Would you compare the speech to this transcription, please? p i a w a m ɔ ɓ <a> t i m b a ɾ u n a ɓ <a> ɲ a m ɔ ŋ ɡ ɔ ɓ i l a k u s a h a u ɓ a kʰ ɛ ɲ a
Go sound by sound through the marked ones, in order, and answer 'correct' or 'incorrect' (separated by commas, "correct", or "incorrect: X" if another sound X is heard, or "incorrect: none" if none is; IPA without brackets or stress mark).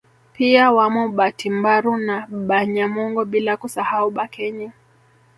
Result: correct, correct